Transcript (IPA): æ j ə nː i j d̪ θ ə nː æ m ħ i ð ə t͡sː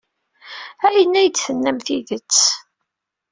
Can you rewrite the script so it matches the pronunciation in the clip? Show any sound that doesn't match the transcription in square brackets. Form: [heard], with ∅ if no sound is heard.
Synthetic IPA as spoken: æ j ə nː [æ] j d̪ θ ə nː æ m [θ] i ð ə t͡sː